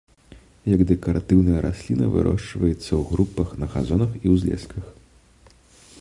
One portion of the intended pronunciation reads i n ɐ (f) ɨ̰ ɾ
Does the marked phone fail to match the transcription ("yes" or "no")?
yes